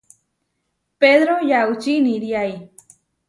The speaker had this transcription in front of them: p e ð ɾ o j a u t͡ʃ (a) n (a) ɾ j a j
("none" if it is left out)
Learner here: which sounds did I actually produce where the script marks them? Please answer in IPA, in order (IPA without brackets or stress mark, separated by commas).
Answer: i, i